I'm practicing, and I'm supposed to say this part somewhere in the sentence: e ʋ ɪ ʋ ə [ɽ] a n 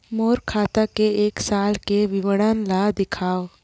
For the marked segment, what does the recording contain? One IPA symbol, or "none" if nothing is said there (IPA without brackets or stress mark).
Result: ɽ